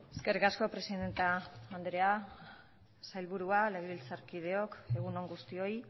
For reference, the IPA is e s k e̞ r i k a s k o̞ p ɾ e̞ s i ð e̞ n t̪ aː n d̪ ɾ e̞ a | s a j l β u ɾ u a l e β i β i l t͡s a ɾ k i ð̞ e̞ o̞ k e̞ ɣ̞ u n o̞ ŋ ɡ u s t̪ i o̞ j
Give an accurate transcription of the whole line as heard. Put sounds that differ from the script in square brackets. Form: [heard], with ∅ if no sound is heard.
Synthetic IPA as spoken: e s k e̞ r i k a s k o̞ p ɾ e̞ s i ð e̞ n t̪ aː n d̪ ɾ e̞ a | s a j l β u ɾ u a l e β i β i l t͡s a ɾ k i ð̞ e̞ o̞ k e̞ ɣ̞ u n o̞ ŋ ɡ u s t̪ i o̞ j